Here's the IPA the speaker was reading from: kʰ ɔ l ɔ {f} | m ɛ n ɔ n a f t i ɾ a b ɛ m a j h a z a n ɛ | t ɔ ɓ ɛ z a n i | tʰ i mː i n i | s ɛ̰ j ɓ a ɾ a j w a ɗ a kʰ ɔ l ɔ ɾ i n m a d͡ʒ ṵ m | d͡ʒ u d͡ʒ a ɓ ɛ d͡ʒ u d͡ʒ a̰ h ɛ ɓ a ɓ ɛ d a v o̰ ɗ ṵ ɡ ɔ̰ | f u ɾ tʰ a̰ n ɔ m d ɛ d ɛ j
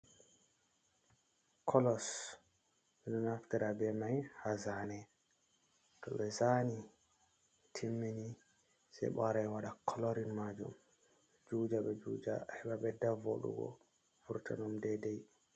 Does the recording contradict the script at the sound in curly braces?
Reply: yes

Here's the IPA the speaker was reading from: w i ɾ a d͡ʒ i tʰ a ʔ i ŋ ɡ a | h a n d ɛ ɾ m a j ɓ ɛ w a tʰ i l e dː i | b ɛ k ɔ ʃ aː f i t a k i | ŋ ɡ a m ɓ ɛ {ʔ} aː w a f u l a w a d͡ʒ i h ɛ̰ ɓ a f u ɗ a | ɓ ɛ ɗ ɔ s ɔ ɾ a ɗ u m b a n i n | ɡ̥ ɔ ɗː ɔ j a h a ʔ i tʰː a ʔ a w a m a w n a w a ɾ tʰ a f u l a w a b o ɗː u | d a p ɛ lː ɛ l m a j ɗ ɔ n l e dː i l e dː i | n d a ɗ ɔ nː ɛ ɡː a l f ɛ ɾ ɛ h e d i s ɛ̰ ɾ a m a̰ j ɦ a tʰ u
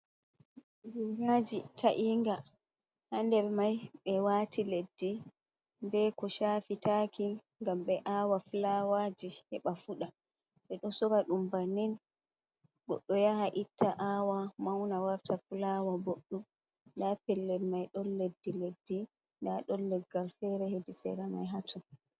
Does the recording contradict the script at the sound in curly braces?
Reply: no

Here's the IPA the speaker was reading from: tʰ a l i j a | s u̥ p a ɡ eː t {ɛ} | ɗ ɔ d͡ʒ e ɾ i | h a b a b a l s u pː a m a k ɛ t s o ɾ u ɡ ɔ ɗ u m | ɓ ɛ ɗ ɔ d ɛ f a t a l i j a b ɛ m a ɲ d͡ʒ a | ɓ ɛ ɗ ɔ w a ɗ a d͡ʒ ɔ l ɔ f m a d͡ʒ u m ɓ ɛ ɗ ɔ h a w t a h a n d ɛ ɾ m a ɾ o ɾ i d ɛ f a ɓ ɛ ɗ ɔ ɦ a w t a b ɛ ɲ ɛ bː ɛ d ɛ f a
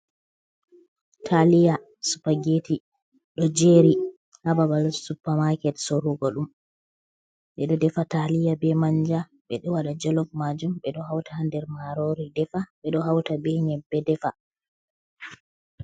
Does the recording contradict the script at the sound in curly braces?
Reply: yes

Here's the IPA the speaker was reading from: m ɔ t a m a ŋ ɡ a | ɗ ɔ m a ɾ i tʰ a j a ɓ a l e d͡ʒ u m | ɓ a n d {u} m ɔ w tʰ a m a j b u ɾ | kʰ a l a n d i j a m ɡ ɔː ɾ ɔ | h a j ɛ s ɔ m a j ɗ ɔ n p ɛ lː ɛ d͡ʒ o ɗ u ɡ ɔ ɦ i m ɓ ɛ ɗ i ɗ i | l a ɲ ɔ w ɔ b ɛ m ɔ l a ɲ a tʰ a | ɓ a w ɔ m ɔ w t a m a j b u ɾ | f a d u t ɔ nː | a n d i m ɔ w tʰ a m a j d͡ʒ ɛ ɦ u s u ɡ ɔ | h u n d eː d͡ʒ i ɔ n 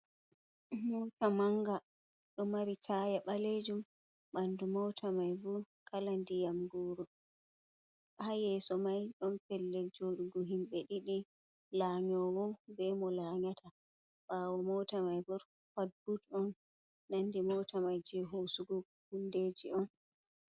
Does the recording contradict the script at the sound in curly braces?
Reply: no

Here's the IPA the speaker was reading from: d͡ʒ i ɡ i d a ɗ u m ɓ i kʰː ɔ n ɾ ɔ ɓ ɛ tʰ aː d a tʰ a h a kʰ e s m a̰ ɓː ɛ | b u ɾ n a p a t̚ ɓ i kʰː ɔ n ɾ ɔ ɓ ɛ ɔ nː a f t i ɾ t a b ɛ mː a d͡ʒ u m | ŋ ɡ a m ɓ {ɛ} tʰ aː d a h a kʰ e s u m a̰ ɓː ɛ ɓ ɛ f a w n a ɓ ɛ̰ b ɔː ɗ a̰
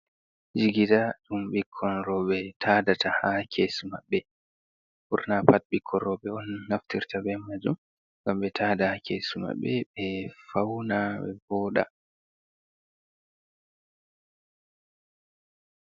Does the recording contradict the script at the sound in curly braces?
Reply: no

